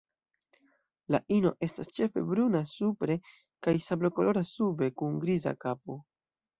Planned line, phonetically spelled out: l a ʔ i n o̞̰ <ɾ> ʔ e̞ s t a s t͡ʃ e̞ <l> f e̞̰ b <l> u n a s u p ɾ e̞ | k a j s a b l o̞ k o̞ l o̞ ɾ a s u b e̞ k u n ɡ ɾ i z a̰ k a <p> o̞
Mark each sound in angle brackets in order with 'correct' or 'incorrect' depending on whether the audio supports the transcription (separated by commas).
incorrect, incorrect, incorrect, correct